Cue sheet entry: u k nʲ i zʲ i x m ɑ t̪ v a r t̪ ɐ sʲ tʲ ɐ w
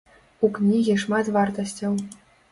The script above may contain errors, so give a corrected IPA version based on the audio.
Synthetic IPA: u k nʲ i ɣʲ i ʂ m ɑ t̪ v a r t̪ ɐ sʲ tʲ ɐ w